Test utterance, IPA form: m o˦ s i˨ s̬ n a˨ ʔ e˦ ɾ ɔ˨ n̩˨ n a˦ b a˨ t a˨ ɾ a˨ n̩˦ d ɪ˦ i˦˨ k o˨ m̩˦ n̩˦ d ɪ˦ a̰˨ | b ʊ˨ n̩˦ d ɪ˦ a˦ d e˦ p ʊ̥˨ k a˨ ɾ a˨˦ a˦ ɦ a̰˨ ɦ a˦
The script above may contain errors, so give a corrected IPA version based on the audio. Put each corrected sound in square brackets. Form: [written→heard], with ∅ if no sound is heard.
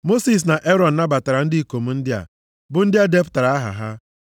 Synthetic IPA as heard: m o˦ s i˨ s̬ n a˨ ʔ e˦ ɾ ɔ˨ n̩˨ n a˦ b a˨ t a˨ ɾ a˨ n̩˦ d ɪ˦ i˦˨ k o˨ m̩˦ n̩˦ d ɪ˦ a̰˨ | b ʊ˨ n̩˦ d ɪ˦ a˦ d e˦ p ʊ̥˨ [k→t] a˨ ɾ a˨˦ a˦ ɦ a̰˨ ɦ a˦